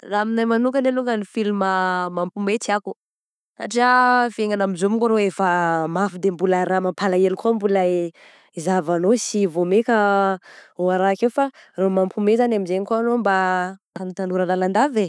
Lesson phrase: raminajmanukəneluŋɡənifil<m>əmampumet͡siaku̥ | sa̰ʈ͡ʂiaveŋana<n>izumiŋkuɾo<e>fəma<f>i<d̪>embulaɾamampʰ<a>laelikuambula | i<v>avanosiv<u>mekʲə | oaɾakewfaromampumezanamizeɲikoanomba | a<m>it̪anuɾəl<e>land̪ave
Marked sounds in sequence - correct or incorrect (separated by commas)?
correct, incorrect, correct, correct, correct, correct, incorrect, incorrect, incorrect, incorrect